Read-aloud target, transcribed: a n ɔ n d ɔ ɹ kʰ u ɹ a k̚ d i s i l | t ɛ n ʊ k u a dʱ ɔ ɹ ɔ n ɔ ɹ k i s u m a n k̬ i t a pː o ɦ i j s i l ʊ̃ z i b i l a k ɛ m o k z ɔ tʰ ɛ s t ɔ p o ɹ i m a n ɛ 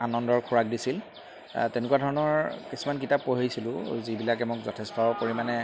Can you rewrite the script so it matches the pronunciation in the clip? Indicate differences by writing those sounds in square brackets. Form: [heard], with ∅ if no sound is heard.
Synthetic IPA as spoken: a n ɔ n d ɔ ɹ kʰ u ɹ a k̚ d i s i l | t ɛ n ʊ k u a dʱ ɔ ɹ ɔ n ɔ ɹ k i s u m a n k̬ i t a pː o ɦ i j s i l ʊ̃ z i b i l a k ɛ m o k z ɔ tʰ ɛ s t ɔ p o ɹ i m a n ɛ